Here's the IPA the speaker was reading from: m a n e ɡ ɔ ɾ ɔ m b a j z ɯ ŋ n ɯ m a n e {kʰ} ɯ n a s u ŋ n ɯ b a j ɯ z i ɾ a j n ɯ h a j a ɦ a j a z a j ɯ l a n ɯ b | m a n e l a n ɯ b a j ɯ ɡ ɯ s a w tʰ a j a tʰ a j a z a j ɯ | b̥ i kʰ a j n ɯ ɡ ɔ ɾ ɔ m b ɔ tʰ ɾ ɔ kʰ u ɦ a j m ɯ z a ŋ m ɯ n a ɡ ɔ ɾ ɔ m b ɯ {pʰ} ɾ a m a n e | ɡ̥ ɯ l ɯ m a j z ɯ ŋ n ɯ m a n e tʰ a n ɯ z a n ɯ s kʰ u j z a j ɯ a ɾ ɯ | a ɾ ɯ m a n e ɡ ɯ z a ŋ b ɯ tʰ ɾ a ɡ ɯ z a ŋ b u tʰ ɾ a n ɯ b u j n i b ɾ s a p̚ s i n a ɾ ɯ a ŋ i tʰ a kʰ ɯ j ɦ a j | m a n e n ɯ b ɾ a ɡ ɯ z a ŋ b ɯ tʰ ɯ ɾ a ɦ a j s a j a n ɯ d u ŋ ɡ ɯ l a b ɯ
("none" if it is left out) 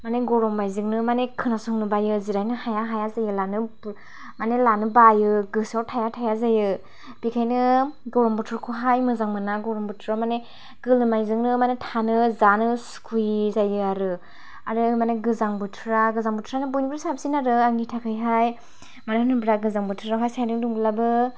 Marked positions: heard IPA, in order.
kʰ, tʰ

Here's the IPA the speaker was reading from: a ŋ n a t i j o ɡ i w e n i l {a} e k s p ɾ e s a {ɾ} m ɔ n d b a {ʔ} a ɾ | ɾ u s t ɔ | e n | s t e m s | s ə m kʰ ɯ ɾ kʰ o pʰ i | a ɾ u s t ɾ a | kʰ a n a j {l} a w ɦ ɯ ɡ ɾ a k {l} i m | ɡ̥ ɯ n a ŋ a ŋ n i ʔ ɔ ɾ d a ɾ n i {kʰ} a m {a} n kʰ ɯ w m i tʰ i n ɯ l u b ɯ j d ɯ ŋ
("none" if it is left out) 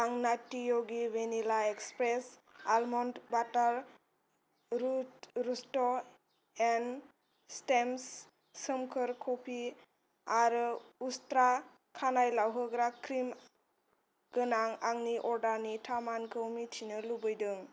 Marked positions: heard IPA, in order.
a, l, t, l, ɾ, tʰ, a

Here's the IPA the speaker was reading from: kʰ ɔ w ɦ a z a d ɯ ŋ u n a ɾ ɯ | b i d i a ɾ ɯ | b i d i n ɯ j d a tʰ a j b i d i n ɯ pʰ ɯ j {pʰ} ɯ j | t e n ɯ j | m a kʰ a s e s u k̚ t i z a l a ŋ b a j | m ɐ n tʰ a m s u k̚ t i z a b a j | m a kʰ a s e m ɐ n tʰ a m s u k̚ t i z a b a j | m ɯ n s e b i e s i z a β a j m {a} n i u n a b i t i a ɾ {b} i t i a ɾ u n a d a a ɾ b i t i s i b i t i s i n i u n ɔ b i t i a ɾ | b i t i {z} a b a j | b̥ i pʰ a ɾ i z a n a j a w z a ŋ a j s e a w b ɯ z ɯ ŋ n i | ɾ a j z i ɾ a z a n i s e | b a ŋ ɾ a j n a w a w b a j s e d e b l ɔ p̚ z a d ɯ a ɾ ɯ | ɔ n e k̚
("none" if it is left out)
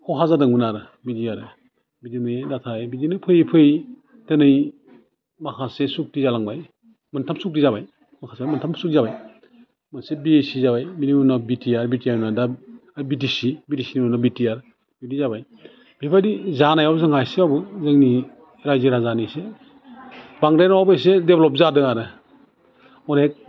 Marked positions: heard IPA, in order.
pʰ, i, b, z

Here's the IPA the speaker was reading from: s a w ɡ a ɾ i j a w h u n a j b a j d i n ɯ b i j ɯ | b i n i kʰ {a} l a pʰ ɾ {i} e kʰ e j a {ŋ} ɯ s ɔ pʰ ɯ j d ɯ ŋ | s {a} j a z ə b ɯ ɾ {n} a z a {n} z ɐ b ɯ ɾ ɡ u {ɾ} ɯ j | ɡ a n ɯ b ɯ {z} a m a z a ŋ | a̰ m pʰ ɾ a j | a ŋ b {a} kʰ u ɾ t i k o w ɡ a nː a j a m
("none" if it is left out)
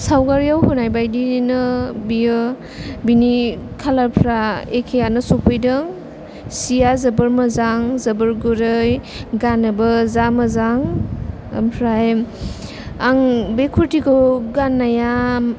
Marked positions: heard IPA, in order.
a, a, n, i, m, ŋ, ɾ, z, e

